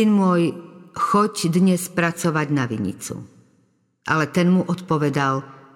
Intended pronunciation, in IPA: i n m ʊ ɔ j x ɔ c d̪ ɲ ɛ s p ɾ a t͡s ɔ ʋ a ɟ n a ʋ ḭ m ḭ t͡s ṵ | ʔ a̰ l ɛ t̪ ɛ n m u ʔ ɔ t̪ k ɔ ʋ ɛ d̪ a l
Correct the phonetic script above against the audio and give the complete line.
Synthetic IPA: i n m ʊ ɔ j x ɔ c d̪ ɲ ɛ s p ɾ a t͡s ɔ ʋ a ɟ n a ʋ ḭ ɲ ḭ t͡s ṵ | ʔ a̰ l ɛ t̪ ɛ n m u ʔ ɔ t̪ p ɔ ʋ ɛ d̪ a l